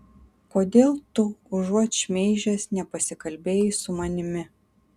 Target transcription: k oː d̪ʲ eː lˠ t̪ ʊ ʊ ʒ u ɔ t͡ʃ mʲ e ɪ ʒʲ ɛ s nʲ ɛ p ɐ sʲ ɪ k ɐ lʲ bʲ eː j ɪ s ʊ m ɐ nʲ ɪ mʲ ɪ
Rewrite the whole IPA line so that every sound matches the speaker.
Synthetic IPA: k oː d̪ʲ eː lˠ t̪ ʊ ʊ ʒ u ɔ t͡ʃ mʲ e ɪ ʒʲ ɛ s nʲ ɛ p ɐ sʲ ɪ k ɐ lʲ bʲ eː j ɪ s ʊ m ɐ nʲ ɪ mʲ ɪ